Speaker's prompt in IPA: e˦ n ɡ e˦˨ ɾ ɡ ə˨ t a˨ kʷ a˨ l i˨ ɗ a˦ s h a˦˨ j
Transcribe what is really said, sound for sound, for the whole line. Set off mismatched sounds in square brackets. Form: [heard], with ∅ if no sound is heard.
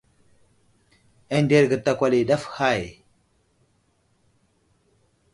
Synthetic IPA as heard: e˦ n [d] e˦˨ ɾ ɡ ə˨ t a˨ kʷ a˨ l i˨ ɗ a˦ [f] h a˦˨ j